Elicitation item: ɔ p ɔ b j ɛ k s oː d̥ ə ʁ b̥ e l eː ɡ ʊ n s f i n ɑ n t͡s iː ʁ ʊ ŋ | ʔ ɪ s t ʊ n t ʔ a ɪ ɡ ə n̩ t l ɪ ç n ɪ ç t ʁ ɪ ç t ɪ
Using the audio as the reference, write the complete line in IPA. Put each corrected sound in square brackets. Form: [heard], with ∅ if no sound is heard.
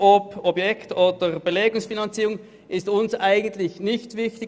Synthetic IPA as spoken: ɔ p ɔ b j ɛ k [t] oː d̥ ə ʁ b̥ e l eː ɡ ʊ [ŋ] s f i n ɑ n t͡s iː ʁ ʊ ŋ | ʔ ɪ s t ʊ n [s] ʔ a ɪ ɡ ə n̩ t l ɪ ç n ɪ ç t [v] ɪ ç t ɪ